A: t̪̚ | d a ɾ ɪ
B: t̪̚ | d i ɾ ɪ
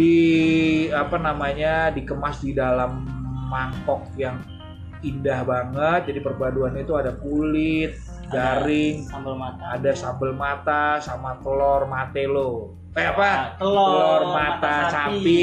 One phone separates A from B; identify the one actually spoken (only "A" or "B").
A